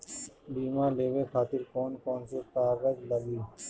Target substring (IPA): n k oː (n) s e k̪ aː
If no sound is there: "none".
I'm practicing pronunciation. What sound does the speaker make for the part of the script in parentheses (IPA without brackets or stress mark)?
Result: n